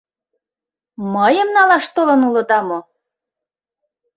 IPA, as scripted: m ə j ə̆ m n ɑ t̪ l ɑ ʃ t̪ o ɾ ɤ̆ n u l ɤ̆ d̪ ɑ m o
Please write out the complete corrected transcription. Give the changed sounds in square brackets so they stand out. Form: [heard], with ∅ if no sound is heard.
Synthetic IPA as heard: m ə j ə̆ m n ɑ [∅] l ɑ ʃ t̪ o [l] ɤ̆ n u l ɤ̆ d̪ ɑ m o